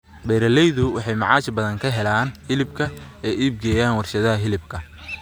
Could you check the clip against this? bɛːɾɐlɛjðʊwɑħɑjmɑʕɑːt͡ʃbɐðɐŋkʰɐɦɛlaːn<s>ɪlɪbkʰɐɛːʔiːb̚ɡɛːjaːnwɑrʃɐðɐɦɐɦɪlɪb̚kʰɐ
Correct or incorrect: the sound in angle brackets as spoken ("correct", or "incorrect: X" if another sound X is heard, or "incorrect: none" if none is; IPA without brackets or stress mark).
incorrect: h